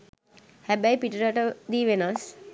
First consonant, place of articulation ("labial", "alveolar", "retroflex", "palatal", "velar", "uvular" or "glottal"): glottal